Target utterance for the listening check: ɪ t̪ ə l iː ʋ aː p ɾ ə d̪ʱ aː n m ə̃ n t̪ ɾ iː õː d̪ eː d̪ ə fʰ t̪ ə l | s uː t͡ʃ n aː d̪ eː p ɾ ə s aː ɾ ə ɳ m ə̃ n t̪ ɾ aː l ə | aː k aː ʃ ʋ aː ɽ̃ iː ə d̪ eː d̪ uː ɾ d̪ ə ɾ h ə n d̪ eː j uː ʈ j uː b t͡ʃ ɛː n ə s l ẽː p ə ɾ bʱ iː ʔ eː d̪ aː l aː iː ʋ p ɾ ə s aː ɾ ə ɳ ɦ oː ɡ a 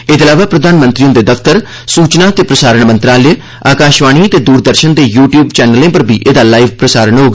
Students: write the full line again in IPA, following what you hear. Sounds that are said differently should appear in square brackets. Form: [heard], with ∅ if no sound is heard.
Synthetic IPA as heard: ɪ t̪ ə l [aː] ʋ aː p ɾ ə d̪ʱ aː n m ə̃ n t̪ ɾ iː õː d̪ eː d̪ ə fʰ t̪ ə [ɾ] | s uː t͡ʃ n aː [t̪] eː p ɾ ə s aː ɾ ə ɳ m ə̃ n t̪ ɾ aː l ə | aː k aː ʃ ʋ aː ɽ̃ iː ə [t̪] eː d̪ uː ɾ d̪ ə ɾ [ʃ] ə n d̪ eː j uː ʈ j uː b t͡ʃ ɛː n ə [∅] l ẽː p ə ɾ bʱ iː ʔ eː d̪ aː l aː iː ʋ p ɾ ə s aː ɾ ə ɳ ɦ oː ɡ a